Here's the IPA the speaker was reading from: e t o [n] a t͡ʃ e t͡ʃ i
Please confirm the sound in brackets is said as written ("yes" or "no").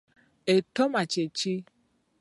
no